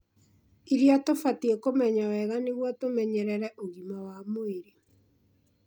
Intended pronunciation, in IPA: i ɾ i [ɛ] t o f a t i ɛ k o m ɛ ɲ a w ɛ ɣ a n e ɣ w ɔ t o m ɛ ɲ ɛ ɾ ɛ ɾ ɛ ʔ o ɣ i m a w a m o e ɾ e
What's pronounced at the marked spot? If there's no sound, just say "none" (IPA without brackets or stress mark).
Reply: a